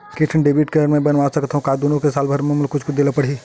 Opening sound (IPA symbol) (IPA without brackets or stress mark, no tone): k